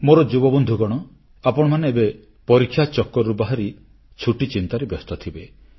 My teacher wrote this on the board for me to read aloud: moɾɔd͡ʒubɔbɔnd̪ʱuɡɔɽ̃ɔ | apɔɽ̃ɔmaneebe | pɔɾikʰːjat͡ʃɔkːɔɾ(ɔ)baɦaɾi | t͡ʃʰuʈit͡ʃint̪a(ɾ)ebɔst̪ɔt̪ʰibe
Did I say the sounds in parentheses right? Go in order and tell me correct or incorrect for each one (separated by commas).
incorrect, correct